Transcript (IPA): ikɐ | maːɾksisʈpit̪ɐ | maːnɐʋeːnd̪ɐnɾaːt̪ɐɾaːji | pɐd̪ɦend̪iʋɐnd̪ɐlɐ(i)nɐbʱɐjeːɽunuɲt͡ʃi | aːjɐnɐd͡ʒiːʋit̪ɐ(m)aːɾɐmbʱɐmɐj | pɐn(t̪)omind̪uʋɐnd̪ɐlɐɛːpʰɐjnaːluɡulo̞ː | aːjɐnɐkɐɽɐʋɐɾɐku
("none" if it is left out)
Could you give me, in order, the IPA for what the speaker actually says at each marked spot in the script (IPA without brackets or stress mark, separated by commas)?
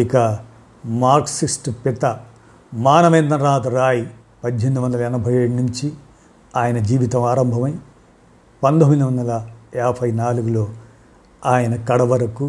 ɛ, m, d̪